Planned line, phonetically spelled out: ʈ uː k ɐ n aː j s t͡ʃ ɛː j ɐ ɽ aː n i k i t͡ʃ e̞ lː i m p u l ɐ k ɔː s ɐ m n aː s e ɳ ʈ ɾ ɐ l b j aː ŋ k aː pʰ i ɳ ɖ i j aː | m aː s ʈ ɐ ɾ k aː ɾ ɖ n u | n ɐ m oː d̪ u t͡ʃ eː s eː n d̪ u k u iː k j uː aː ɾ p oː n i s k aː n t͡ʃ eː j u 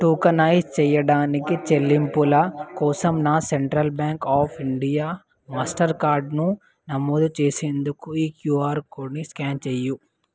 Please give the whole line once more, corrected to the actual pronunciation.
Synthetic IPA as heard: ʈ uː k ɐ n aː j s t͡ʃ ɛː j ɐ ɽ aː n i k i t͡ʃ e̞ lː i m p u l ɐ k ɔː s ɐ m n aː s e ɳ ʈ ɾ ɐ l b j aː ŋ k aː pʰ i ɳ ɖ i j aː | m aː s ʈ ɐ ɾ k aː ɾ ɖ n u | n ɐ m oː d̪ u t͡ʃ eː s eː n d̪ u k u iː k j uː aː ɾ k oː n i s k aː n t͡ʃ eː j u

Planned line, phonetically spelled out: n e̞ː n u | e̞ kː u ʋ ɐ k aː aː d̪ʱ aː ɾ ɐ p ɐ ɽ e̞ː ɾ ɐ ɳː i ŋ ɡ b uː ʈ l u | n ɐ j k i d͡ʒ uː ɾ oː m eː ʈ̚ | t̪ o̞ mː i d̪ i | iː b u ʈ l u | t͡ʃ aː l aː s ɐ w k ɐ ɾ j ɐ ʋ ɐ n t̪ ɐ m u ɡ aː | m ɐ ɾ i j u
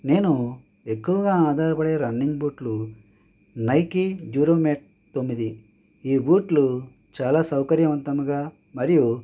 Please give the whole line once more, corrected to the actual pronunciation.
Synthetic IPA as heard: n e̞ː n u | e̞ kː u ʋ ɐ ɡ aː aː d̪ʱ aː ɾ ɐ p ɐ ɽ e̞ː ɾ ɐ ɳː i ŋ ɡ b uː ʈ l u | n ɐ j k i d͡ʒ uː ɾ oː m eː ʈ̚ | t̪ o̞ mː i d̪ i | iː b uː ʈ l u | t͡ʃ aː l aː s ɐ w k ɐ ɾ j ɐ ʋ ɐ n t̪ ɐ m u ɡ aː | m ɐ ɾ i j u

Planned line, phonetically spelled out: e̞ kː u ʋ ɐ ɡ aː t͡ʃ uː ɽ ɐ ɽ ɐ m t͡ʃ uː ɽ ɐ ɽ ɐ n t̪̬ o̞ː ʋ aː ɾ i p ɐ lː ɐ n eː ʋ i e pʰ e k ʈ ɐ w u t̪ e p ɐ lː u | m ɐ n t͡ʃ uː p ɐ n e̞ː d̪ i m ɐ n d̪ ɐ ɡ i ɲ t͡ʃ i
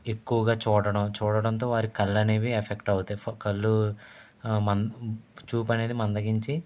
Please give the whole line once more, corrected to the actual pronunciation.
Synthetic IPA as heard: e̞ kː u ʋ ɐ ɡ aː t͡ʃ uː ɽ ɐ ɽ ɐ m t͡ʃ uː ɽ ɐ ɽ ɐ n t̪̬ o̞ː ʋ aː ɾ i k ɐ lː ɐ n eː ʋ i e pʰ e k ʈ ɐ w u t̪ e k ɐ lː u | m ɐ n t͡ʃ uː p ɐ n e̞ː d̪ i m ɐ n d̪ ɐ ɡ i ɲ t͡ʃ i

